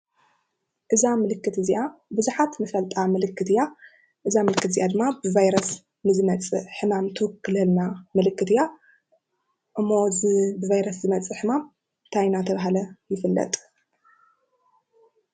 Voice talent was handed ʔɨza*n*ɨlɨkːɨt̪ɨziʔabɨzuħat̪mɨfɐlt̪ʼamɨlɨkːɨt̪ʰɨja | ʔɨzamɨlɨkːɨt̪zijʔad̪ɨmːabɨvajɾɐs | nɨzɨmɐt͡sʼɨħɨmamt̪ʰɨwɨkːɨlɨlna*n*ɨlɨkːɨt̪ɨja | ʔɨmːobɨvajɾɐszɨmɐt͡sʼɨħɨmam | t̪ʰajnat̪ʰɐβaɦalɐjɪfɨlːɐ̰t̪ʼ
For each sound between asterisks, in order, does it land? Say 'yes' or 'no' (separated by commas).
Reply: no, no